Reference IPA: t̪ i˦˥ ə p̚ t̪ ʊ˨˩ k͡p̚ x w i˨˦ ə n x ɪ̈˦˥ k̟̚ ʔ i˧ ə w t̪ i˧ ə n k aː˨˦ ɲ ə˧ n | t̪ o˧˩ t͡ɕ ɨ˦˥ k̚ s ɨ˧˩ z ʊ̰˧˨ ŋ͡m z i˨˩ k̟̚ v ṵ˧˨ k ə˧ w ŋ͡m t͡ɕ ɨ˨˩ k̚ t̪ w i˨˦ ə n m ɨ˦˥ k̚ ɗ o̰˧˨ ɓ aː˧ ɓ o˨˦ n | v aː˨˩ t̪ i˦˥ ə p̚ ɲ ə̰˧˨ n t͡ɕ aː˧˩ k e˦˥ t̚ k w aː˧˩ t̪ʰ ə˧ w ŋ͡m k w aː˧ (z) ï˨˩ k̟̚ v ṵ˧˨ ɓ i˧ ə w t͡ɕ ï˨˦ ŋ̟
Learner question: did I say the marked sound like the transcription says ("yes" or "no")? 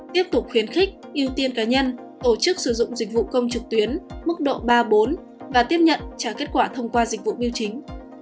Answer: yes